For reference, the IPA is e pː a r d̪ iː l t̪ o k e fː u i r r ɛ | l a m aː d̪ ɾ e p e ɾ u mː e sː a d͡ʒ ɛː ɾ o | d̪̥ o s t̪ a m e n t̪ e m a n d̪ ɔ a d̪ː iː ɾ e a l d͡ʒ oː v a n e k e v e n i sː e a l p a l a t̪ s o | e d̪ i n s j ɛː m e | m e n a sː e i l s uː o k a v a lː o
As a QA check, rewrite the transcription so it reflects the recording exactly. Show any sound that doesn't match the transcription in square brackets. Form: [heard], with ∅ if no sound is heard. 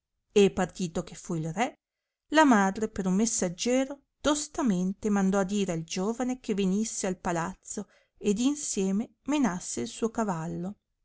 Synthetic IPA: e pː a r [t̪] iː [∅] t̪ o k e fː u i [l] r ɛ | l a m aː d̪ ɾ e p e ɾ u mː e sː a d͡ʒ ɛː ɾ o | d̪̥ o s t̪ a m e n t̪ e m a n d̪ ɔ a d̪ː iː ɾ e a l d͡ʒ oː v a n e k e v e n i sː e a l p a l a t̪ s o | e d̪ i n s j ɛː m e | m e n a sː e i l s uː o k a v a lː o